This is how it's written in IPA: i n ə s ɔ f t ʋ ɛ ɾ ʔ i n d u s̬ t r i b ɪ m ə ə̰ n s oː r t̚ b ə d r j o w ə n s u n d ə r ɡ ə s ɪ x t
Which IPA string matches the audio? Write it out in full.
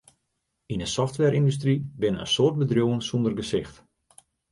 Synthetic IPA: i n ə s ɔ f t ʋ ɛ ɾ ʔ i n d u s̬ t r i b ɪ n ə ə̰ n s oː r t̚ b ə d r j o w ə n s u n d ə r ɡ ə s ɪ x t